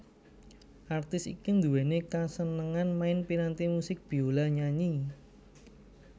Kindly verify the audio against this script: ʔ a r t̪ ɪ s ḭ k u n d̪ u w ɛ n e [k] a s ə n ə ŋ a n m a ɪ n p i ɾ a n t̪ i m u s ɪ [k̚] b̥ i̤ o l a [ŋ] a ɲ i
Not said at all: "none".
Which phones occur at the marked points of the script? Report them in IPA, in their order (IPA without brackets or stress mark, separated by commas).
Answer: k, k̚, ɲ